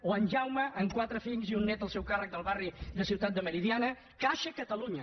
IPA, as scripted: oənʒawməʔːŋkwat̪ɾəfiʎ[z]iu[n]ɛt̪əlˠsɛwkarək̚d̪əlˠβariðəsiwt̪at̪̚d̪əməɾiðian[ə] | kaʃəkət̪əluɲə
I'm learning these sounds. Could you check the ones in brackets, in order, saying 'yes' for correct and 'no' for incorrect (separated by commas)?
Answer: yes, no, yes